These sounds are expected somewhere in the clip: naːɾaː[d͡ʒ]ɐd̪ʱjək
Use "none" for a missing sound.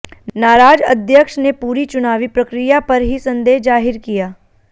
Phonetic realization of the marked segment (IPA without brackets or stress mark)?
d͡ʒ